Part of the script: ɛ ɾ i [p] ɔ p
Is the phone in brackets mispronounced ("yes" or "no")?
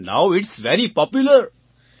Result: no